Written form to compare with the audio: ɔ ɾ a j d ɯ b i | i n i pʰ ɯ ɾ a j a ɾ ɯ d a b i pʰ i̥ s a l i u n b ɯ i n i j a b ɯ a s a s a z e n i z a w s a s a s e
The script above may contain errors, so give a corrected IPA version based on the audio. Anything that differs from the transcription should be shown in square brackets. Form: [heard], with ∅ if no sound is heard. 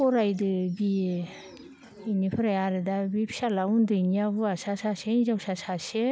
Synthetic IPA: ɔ ɾ a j d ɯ b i | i n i pʰ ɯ ɾ a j a ɾ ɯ d a b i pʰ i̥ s a l [a] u n [d] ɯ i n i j a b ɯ a s a s a [s] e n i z a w s a s a s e